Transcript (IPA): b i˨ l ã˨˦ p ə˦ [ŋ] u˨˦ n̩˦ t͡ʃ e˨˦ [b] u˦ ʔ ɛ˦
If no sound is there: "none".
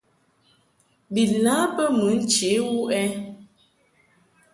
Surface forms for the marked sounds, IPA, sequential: m, w

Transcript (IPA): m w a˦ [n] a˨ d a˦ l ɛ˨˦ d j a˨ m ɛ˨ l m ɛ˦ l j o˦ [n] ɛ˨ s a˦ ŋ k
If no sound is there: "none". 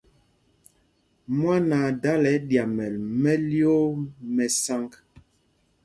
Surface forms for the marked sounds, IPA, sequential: n, m

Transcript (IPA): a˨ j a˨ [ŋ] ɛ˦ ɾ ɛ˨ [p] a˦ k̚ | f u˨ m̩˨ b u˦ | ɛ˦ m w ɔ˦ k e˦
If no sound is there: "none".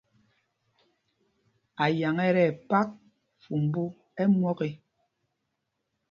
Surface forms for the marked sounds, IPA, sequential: ŋ, p

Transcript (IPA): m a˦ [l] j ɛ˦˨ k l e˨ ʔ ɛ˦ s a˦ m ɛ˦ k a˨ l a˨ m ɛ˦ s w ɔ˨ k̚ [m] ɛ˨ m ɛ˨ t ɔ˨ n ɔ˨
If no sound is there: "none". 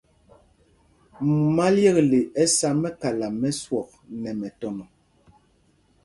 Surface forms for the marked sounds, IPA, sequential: l, n

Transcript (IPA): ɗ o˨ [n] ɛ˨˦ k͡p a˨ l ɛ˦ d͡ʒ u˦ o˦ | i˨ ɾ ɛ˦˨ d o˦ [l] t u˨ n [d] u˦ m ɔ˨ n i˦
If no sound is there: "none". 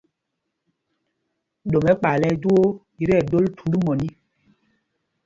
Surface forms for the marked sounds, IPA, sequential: m, l, d

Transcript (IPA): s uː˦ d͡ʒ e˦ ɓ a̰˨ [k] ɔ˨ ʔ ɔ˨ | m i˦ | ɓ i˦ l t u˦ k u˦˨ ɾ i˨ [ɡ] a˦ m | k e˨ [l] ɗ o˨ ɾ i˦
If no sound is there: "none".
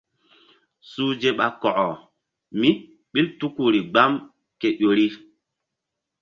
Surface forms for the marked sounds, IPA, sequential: k, ɡ͡b, none

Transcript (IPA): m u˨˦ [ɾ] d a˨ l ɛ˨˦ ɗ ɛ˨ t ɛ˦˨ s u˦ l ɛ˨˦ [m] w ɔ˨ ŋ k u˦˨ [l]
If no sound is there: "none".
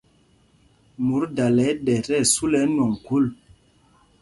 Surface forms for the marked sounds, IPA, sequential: ɾ, n, l

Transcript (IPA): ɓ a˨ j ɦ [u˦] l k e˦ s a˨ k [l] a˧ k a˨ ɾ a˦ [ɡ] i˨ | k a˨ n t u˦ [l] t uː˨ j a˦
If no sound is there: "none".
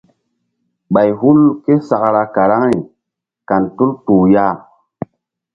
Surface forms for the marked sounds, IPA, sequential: u˦, ɾ, ŋ, l

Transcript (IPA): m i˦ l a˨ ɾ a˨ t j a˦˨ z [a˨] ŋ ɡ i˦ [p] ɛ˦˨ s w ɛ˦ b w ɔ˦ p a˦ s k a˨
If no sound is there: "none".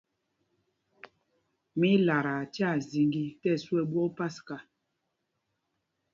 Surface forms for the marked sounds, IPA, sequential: i˨, t

